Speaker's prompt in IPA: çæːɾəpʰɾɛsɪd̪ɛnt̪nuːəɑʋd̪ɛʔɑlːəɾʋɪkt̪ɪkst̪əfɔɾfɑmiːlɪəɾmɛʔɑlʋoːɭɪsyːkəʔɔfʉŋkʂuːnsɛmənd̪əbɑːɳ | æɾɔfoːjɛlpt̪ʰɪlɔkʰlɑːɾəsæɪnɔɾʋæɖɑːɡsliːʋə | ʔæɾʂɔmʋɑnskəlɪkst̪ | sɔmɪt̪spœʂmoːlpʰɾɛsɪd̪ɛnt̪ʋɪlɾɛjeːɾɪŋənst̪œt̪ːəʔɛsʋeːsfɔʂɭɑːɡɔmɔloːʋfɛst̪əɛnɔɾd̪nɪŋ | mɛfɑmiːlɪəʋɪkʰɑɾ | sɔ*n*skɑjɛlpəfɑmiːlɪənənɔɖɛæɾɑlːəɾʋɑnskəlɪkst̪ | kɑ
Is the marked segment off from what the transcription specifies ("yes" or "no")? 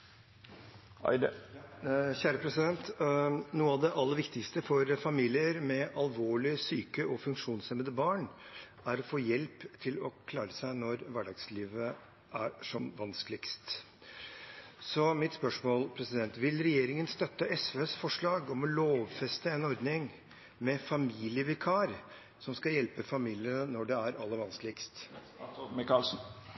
yes